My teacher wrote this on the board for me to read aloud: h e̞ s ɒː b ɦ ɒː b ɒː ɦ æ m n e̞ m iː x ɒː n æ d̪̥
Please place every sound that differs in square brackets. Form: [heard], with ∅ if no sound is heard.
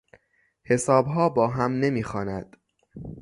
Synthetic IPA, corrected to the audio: h e̞ s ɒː b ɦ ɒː b ɒː ɦ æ m n e̞ m iː x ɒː n æ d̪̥